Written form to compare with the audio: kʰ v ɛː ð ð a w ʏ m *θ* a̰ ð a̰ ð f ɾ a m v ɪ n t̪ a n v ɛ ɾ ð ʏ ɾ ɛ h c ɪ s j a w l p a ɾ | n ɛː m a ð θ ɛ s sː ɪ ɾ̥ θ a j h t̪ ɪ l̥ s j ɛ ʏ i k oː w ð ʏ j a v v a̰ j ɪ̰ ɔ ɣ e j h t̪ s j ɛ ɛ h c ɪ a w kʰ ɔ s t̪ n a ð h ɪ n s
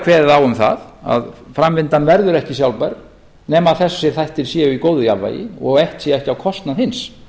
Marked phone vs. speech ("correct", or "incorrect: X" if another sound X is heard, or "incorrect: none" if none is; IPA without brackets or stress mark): correct